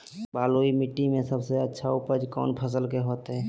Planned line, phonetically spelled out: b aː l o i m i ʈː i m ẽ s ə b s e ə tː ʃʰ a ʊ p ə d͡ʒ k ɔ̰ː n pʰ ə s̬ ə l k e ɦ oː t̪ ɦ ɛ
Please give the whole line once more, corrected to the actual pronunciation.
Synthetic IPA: b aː l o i m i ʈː i m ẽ s ə b s e ə tː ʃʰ a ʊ p ə d͡ʒ k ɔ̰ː n pʰ ə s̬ ə l k e ɦ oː t̪ ɦ ɛ